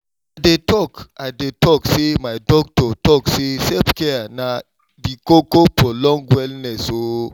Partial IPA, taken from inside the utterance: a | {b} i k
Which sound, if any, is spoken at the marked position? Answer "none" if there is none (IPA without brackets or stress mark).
d